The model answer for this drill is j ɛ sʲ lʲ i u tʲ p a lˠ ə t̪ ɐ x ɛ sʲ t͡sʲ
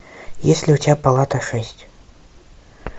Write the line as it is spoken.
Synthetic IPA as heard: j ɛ sʲ lʲ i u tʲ p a lˠ a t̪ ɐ ʂ ɛ sʲ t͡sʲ